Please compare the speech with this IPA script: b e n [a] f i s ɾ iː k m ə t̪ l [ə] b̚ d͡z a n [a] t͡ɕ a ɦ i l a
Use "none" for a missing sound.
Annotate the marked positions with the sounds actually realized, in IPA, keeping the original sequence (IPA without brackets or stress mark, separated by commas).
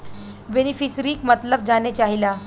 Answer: i, ə, e